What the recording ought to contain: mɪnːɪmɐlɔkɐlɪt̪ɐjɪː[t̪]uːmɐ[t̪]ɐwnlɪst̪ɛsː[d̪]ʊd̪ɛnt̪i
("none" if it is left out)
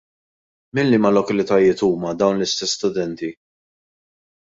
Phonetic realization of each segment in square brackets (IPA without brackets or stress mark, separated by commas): t̪, d̪, t̪